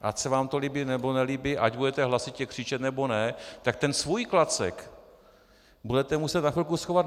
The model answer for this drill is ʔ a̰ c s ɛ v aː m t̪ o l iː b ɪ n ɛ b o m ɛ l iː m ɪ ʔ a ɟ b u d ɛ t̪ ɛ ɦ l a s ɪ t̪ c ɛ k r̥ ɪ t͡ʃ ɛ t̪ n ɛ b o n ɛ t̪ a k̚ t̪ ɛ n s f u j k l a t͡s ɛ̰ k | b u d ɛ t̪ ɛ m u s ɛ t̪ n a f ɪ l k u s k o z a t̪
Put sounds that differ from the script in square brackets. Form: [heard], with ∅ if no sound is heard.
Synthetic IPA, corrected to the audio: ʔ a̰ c s ɛ v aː m t̪ o l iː b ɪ n ɛ b o [n] ɛ l iː [b] ɪ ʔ a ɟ b u d ɛ t̪ ɛ ɦ l a s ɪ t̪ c ɛ k r̥ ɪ t͡ʃ ɛ t̪ n ɛ b o n ɛ t̪ a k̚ t̪ ɛ n s [v] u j k l a t͡s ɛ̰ k | b u d ɛ t̪ ɛ m u s ɛ t̪ n a f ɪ l k u s [x] o [v] a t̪

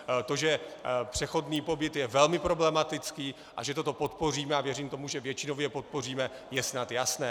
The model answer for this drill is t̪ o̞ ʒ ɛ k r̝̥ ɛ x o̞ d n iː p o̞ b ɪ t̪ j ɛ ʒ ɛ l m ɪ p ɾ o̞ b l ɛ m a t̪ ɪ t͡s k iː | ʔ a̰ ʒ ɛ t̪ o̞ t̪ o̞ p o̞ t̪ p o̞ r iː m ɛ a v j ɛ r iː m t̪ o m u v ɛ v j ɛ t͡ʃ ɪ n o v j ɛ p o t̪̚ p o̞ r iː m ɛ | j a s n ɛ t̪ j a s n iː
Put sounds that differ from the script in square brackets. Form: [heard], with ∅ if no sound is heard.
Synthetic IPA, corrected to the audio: t̪ o̞ ʒ ɛ [p] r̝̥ ɛ x o̞ d n iː p o̞ b ɪ t̪ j ɛ [v] ɛ l m ɪ p ɾ o̞ b l ɛ m a t̪ ɪ t͡s k iː | ʔ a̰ ʒ ɛ t̪ o̞ t̪ o̞ p o̞ t̪ p o̞ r iː m ɛ a v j ɛ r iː m t̪ o m u [ʒ] ɛ v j ɛ t͡ʃ ɪ n o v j ɛ p o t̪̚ p o̞ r iː m ɛ | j [ɛ] s n [a] t̪ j a s n [ɛː]

